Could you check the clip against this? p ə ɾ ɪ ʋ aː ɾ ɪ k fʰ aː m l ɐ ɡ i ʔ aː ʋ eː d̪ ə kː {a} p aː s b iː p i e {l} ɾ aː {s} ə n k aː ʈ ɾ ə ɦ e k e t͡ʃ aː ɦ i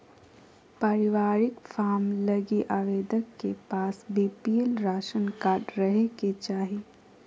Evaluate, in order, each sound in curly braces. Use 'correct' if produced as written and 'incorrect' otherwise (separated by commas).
incorrect, correct, incorrect